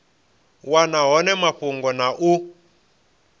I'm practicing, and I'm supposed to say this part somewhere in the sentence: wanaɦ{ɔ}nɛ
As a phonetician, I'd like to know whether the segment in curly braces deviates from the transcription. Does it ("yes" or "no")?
no